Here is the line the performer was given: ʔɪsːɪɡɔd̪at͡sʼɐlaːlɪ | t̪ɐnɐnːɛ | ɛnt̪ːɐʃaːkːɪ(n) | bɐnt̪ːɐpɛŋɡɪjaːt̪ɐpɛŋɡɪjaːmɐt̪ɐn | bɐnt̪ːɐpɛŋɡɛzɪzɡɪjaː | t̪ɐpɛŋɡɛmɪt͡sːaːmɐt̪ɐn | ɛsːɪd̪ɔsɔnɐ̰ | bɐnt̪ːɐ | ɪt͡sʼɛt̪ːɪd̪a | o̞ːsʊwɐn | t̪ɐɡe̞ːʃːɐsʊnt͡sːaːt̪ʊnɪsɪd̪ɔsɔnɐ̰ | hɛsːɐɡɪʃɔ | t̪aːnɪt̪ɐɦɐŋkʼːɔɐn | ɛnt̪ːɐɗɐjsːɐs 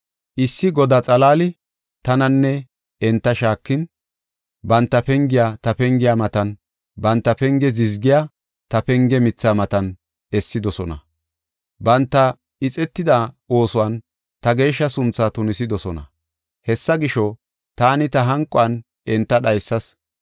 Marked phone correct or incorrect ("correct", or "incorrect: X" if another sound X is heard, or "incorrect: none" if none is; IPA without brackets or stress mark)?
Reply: correct